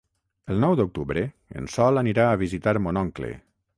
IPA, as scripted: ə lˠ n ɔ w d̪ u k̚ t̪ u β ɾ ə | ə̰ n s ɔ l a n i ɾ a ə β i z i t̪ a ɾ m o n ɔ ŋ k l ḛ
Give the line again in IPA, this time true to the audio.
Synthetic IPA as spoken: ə lˠ n ɔ w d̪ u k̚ t̪ u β ɾ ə | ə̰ n s ɔ l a n i ɾ a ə β i z i t̪ a ɾ m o n ɔ ŋ k l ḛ